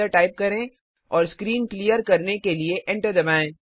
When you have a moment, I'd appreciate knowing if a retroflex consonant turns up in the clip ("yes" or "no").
yes